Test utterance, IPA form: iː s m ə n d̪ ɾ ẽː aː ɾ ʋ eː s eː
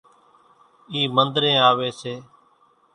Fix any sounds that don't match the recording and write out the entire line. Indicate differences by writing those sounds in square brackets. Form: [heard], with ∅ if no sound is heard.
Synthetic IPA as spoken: iː [∅] m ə n d̪ ɾ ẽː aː [∅] ʋ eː s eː